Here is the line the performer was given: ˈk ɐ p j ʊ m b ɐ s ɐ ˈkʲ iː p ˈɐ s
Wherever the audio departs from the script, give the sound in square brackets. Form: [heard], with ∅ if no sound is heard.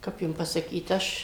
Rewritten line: ˈk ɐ p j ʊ m [p] ɐ s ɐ ˈkʲ iː [t] ˈɐ [ʃ]